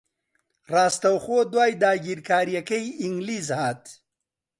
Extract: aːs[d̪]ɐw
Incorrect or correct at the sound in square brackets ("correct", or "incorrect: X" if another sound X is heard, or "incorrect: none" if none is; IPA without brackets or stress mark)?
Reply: incorrect: t̪